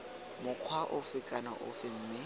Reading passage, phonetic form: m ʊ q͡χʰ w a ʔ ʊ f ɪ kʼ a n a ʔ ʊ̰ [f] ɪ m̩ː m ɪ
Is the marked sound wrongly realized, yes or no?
no